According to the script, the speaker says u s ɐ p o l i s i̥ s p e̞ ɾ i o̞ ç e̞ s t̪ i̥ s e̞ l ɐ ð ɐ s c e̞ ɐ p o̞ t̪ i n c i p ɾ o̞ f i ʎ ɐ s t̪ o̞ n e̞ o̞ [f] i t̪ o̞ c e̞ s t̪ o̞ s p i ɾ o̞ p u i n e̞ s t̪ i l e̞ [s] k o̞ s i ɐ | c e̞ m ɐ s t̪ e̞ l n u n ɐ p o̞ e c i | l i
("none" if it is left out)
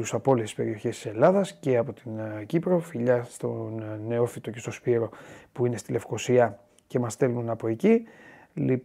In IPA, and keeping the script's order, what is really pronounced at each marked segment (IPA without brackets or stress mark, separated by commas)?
f, f